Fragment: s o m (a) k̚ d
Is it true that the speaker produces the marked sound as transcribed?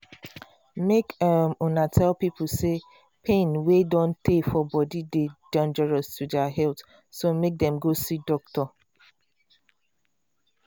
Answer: no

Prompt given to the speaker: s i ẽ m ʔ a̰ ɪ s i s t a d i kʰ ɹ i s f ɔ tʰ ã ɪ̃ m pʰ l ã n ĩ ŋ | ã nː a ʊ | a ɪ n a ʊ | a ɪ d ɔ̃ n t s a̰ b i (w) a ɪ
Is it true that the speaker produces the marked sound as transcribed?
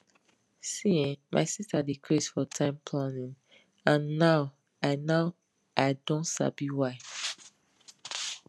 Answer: yes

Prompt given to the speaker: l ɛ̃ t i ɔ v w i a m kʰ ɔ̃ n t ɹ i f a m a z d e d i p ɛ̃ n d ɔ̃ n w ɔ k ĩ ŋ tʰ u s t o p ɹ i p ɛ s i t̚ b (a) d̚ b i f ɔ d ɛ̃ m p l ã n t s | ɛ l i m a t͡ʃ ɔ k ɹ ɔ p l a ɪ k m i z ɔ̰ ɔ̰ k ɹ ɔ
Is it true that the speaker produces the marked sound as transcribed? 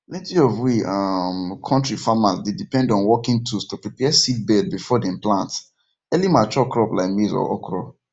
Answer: no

